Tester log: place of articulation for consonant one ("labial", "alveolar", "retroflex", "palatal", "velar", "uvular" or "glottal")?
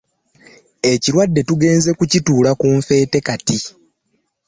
palatal